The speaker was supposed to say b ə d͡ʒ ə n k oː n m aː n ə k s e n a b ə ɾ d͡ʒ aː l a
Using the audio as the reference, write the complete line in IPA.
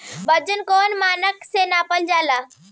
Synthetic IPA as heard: b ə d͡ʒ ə n k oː n m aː n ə k s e n a p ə l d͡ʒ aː l a